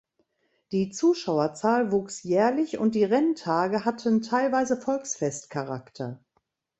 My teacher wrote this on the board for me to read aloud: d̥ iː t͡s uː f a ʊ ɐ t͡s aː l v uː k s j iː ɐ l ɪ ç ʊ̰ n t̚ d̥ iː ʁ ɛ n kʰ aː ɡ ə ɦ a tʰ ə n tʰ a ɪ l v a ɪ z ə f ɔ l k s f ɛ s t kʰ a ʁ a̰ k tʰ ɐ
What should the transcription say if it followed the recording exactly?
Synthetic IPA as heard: d̥ iː t͡s uː ʃ a ʊ ɐ t͡s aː l v uː k s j ɛː ɐ l ɪ ç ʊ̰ n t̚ d̥ iː ʁ ɛ n tʰ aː ɡ ə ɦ a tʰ ə n tʰ a ɪ l v a ɪ z ə f ɔ l k s f ɛ s t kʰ a ʁ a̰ k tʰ ɐ